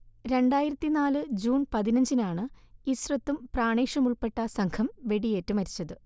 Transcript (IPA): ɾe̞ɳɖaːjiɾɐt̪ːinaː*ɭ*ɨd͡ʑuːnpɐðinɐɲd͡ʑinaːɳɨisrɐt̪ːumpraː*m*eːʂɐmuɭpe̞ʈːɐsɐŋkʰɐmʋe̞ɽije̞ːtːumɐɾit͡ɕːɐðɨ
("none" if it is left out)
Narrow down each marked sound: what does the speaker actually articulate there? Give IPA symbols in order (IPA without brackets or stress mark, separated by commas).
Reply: l, ɳ